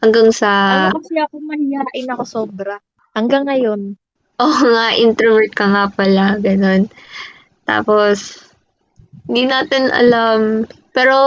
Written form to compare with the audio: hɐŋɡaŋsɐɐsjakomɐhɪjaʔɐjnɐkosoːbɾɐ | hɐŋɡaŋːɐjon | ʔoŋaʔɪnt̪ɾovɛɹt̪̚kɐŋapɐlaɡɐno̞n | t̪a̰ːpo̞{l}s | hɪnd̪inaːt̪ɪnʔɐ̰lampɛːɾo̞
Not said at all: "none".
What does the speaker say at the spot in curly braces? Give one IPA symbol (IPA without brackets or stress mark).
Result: none